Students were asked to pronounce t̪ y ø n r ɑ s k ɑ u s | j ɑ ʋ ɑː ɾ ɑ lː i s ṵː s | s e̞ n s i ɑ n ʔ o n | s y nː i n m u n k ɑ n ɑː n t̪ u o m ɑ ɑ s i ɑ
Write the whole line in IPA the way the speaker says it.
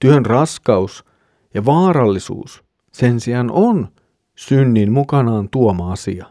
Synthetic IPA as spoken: t̪ y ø n r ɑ s k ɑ u s | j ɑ ʋ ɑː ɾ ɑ lː i s ṵː s | s e̞ n s i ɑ n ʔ o n | s y nː i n m u k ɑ n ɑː n t̪ u o m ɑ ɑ s i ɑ